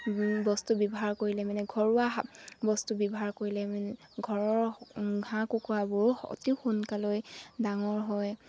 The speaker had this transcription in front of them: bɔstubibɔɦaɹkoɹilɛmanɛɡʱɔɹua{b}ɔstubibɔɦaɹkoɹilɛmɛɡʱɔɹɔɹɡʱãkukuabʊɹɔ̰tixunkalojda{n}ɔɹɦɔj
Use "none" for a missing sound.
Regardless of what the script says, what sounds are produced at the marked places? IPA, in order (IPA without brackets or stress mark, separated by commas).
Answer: b, ŋ